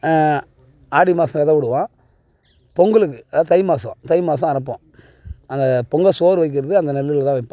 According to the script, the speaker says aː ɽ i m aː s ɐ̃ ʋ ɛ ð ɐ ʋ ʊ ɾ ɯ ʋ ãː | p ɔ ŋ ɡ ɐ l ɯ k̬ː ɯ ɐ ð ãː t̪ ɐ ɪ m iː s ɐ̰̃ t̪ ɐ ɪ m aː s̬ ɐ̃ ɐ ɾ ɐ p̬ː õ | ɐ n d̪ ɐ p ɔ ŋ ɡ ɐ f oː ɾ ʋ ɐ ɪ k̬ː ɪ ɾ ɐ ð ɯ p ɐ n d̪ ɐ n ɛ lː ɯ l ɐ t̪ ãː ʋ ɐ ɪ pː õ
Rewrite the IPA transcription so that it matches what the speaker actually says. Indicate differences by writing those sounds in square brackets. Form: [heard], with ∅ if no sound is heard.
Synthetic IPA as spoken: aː ɽ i m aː s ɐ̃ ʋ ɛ ð ɐ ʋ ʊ [ɽ] ɯ ʋ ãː | p ɔ ŋ ɡ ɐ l ɯ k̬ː ɯ ɐ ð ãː t̪ ɐ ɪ m [aː] s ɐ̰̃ t̪ ɐ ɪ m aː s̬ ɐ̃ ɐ ɾ ɐ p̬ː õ | ɐ n d̪ ɐ p ɔ ŋ ɡ ɐ [s] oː ɾ ʋ ɐ ɪ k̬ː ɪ ɾ ɐ ð ɯ [∅] ɐ n d̪ ɐ n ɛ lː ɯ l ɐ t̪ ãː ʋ ɐ ɪ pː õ